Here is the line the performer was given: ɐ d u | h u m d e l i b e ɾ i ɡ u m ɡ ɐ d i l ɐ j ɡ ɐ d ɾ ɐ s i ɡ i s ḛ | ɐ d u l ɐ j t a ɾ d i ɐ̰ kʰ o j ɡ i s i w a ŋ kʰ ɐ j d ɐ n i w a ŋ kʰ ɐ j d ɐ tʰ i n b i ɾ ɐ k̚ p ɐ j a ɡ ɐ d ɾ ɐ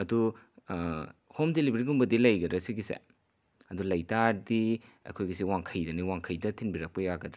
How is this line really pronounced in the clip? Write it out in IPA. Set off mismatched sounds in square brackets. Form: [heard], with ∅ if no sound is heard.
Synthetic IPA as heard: ɐ d u | h [o] m d e l i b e ɾ i ɡ u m [b] ɐ d i l ɐ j ɡ ɐ d ɾ ɐ s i ɡ i s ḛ | ɐ d u l ɐ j t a ɾ d i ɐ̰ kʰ o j ɡ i s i w a ŋ kʰ ɐ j d ɐ n i w a ŋ kʰ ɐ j d ɐ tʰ i n b i ɾ ɐ k̚ p ɐ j a ɡ ɐ d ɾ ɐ